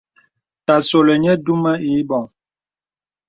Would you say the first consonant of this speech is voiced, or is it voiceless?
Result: voiceless